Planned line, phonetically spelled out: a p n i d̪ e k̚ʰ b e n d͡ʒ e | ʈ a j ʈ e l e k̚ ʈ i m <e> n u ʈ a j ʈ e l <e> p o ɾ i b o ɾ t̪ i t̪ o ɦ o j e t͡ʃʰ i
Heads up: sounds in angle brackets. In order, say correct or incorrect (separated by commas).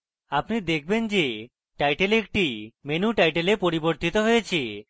correct, correct